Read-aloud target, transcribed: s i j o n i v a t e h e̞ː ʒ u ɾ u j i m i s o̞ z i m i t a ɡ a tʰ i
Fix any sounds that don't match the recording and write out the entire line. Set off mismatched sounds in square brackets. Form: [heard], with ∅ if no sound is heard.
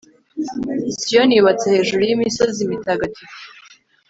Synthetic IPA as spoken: s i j o n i [β] a [t͡s] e h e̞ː ʒ u ɾ u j i m i s o̞ z i m i t a ɡ a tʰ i